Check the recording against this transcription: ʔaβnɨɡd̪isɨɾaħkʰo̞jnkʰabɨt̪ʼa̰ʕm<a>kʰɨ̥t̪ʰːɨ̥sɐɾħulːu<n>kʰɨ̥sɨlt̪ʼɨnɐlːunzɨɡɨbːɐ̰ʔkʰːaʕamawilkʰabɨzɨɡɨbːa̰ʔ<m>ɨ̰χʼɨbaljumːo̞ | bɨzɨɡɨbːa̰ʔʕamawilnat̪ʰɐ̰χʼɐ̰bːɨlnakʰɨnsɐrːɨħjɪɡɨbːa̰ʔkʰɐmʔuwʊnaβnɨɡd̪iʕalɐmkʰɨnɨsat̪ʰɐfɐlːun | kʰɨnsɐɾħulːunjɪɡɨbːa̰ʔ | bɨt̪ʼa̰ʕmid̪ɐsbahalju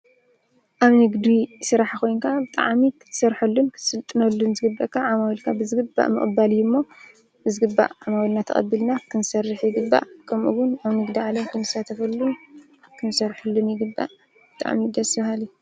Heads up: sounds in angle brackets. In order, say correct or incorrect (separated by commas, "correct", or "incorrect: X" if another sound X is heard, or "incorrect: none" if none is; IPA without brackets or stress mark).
incorrect: i, correct, correct